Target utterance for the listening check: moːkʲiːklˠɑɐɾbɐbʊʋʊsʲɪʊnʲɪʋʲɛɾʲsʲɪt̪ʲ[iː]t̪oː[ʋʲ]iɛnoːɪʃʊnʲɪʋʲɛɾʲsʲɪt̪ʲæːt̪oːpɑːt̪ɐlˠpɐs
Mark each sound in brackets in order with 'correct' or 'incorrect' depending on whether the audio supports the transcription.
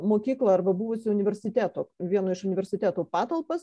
incorrect: æː, correct

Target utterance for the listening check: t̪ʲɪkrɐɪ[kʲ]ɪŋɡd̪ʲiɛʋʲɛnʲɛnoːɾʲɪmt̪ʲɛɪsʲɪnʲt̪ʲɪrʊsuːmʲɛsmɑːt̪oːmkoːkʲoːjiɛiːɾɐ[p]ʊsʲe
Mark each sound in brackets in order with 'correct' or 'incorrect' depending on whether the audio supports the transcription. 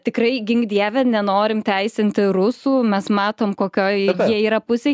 incorrect: ɡʲ, correct

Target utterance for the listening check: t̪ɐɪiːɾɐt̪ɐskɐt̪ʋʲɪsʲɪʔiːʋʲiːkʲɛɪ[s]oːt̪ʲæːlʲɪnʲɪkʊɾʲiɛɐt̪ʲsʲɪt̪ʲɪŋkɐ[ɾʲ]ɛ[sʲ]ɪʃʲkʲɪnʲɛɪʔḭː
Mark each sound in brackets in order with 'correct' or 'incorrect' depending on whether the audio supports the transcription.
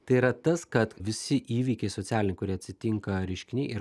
correct, correct, incorrect: none

